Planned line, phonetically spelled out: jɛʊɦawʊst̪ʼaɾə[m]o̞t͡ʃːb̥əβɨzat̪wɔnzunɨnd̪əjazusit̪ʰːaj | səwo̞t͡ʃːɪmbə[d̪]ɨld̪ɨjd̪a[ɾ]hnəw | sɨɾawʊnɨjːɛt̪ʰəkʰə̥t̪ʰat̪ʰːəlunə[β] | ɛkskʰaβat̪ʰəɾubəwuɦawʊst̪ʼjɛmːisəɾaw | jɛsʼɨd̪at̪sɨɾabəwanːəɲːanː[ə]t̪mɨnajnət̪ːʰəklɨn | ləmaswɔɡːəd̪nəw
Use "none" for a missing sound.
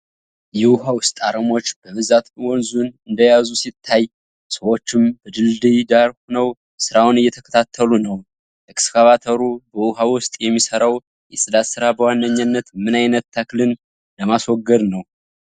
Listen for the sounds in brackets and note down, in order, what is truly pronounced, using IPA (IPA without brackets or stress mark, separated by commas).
m, d̪, ɾ, w, ə